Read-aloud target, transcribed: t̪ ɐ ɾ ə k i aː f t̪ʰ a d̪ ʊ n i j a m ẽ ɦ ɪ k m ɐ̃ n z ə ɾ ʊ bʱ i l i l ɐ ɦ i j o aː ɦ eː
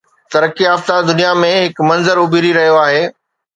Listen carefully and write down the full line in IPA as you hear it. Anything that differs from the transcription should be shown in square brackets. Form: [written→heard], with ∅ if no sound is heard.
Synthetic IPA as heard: t̪ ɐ ɾ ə k i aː f [t̪ʰ→t̪] a d̪ ʊ n i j a m ẽ ɦ ɪ k m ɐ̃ n z ə ɾ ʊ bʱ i [l→ɾ] i [l→ɾ] ɐ ɦ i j o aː ɦ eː